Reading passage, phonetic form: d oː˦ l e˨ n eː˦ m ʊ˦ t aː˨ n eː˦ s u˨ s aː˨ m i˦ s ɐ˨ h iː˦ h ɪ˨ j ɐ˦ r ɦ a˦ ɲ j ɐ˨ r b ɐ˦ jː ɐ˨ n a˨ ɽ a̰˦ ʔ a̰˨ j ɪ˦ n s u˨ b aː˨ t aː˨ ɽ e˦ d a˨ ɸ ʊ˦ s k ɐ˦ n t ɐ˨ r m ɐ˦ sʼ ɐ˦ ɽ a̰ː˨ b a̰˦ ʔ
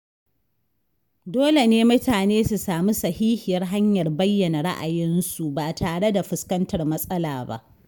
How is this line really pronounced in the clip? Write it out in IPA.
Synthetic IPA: d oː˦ l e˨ n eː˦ m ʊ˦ t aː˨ n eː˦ s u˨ s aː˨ m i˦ s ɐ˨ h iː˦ h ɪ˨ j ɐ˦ r ɦ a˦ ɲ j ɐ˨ r b ɐ˦ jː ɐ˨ n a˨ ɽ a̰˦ ʔ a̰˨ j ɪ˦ n s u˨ b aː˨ t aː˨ ɽ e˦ d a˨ ɸ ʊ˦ s k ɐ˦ n t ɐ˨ r m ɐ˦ sʼ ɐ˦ l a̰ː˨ b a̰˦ ʔ